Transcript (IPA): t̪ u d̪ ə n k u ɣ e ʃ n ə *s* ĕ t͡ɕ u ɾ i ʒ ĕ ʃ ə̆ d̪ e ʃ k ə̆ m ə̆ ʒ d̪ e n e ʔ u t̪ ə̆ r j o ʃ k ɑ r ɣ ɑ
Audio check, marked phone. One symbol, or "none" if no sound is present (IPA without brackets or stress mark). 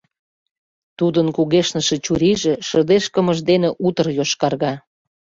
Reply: ʃ